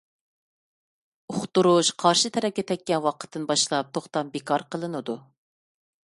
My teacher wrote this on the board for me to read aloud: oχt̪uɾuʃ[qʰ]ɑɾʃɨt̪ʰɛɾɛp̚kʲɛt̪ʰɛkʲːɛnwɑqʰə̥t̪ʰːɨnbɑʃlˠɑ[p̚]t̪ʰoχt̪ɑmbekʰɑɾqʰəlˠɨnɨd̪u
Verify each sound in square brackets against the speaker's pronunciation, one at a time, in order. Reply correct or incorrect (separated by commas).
correct, correct